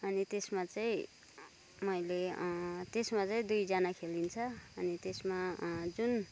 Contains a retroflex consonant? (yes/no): no